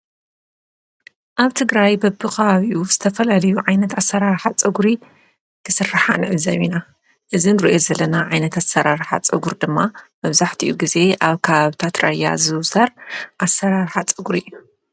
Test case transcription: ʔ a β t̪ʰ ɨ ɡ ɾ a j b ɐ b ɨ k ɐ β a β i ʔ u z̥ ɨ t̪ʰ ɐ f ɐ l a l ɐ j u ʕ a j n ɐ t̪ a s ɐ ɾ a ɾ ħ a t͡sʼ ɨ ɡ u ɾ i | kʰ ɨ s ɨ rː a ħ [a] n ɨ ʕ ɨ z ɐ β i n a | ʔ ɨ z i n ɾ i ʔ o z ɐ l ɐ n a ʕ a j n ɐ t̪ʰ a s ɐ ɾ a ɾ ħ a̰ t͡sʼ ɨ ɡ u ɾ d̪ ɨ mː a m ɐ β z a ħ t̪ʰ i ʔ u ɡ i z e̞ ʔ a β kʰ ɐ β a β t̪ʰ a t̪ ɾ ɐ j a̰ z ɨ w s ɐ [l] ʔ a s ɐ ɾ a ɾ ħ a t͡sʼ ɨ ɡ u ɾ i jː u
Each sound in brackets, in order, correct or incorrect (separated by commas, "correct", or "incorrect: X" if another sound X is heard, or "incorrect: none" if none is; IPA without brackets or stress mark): correct, incorrect: ɾ